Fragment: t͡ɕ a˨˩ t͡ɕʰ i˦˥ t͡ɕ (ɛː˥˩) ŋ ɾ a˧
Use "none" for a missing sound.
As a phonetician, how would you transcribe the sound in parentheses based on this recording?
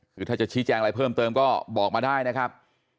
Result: ɛː˧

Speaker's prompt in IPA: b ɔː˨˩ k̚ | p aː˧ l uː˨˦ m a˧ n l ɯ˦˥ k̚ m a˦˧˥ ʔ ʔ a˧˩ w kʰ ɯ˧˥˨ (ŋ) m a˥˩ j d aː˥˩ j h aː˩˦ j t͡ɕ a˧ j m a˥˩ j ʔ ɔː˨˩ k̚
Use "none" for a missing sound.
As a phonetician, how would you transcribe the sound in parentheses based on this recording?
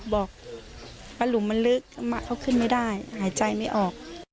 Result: n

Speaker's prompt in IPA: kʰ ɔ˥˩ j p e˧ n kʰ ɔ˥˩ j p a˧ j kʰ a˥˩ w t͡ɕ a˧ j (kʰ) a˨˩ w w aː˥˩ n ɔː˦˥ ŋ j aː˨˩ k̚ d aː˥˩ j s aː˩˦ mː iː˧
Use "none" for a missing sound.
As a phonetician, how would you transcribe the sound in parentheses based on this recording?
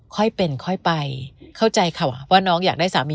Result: kʰ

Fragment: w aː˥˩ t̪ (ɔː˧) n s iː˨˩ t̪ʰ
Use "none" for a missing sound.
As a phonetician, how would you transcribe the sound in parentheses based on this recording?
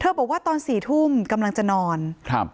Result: ɔː˧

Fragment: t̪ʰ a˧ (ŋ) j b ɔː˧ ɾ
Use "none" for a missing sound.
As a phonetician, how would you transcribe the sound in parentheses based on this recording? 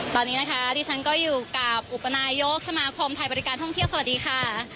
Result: none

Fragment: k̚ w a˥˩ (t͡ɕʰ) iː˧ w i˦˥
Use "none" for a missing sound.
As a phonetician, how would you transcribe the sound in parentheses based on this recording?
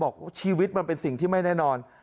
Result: t͡ɕʰ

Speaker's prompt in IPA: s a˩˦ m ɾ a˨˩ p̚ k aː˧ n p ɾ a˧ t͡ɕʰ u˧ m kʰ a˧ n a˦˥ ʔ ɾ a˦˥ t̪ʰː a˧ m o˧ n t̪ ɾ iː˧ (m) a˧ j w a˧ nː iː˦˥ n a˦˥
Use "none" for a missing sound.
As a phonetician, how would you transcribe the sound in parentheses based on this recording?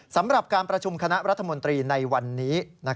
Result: n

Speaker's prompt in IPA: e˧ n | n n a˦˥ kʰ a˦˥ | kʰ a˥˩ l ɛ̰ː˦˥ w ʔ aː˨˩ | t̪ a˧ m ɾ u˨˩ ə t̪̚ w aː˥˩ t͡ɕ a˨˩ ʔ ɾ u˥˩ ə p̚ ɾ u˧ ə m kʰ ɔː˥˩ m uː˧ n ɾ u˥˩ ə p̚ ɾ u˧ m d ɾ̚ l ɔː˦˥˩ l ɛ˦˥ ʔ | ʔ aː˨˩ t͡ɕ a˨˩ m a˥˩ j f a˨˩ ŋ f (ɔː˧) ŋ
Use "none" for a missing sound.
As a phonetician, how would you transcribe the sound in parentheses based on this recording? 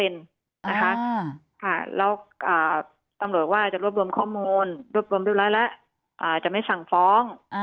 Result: ɔː˦˥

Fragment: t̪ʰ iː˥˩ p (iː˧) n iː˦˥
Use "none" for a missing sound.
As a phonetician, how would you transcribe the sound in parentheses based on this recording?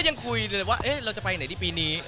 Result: iː˧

